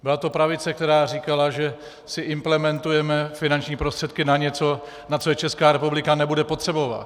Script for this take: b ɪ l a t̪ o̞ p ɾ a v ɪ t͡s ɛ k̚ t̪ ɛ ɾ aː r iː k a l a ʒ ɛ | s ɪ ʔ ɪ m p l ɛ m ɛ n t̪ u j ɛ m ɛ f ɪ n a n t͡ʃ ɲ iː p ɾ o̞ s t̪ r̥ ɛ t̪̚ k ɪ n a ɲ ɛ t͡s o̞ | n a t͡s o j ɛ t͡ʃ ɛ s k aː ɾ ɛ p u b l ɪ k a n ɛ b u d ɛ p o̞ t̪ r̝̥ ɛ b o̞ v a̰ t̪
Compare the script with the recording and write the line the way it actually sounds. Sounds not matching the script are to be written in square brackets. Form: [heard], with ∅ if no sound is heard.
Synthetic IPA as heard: b ɪ l a t̪ o̞ p ɾ a v ɪ t͡s ɛ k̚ t̪ ɛ ɾ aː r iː k a l a ʒ ɛ | s ɪ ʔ ɪ m p l ɛ m ɛ n t̪ u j ɛ m ɛ f ɪ n a n t͡ʃ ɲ iː p ɾ o̞ s t̪ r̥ ɛ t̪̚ k ɪ n a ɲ ɛ t͡s o̞ | n a t͡s o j ɛ t͡ʃ ɛ s k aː ɾ ɛ p u b l ɪ k a n ɛ b u d ɛ p o̞ t̪ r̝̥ ɛ b o̞ v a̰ t̪